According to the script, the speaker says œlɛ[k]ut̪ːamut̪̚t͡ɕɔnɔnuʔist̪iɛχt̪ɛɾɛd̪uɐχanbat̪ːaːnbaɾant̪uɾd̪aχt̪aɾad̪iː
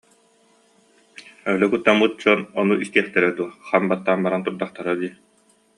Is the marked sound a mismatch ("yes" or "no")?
no